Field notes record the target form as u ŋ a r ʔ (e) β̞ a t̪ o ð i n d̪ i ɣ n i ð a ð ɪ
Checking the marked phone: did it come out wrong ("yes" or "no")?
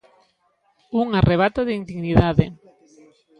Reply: no